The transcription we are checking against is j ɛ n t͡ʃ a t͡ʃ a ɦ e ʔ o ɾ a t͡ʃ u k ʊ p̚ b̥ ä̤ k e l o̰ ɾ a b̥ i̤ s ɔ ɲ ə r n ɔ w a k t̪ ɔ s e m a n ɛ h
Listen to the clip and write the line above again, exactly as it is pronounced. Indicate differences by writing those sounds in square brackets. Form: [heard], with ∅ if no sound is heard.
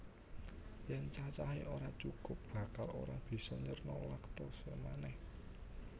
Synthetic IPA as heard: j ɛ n t͡ʃ a t͡ʃ a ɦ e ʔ o ɾ a t͡ʃ u k ʊ p̚ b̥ ä̤ k [a] l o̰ ɾ a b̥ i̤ s ɔ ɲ ə r n ɔ w a k t̪ ɔ s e m a n ɛ h